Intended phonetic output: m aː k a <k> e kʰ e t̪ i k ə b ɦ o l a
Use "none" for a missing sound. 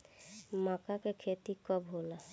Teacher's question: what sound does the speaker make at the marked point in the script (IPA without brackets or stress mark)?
k